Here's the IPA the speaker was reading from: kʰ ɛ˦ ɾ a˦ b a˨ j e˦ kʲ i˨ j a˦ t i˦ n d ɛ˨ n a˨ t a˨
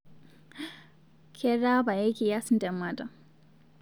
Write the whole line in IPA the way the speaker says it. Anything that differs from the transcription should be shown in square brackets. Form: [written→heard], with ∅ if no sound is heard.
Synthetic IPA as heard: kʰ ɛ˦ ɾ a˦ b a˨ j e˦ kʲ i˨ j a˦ [t→s] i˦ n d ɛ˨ [n→m] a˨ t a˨